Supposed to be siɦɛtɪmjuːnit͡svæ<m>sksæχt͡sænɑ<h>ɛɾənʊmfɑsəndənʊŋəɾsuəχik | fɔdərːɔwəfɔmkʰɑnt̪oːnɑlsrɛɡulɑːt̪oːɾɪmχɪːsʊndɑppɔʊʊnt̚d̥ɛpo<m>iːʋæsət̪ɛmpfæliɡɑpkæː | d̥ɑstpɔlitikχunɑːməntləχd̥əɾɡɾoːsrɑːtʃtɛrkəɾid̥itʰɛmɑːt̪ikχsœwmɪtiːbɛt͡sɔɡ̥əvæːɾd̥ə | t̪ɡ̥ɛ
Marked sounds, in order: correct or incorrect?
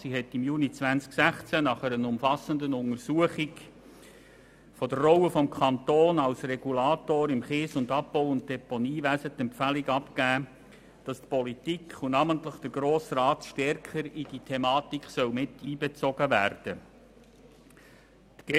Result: incorrect: n, incorrect: χ, incorrect: n

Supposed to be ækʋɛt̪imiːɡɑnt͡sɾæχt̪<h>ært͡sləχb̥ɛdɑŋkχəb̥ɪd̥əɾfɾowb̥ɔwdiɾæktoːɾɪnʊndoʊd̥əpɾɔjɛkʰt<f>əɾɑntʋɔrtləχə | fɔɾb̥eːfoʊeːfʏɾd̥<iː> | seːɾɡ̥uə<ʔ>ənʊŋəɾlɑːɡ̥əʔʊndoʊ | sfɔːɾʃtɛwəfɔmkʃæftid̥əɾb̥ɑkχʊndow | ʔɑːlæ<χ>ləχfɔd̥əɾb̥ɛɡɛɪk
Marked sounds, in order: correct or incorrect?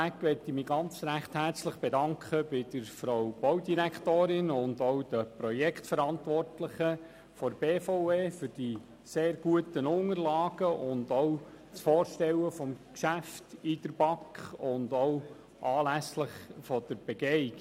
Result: correct, correct, incorrect: i, incorrect: t, incorrect: s

